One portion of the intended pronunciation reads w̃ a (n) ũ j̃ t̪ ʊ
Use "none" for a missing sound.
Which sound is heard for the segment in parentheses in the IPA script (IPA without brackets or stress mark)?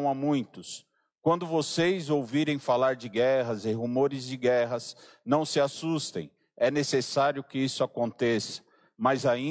m